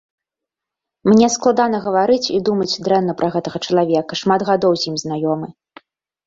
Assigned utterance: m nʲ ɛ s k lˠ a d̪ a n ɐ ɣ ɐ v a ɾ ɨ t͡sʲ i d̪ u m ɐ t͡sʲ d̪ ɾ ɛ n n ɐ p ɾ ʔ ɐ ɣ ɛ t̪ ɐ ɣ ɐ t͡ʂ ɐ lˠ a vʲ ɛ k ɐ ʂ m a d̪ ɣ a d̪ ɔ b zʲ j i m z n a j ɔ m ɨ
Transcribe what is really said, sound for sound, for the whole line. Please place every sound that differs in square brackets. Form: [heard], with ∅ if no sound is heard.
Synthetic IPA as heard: m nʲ ɛ s k lˠ a d̪ a n ɐ ɣ ɐ v a ɾ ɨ t͡sʲ i d̪ u m ɐ t͡sʲ d̪ ɾ ɛ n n ɐ p ɾ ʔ ɐ ɣ ɛ t̪ ɐ ɣ ɐ t͡ʂ ɐ lˠ a vʲ ɛ k ɐ ʂ m a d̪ ɣ a d̪ ɔ [w] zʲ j i m z n a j ɔ m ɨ